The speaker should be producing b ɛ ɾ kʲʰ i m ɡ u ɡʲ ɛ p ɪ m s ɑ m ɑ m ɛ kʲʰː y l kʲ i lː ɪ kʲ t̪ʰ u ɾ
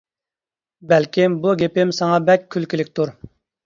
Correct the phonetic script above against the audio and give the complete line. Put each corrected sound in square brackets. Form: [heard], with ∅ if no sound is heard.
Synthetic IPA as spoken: b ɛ [l] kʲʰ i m [b] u ɡʲ [e] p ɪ m s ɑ [ŋ] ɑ [b] ɛ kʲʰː y l kʲ i [l] ɪ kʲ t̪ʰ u ɾ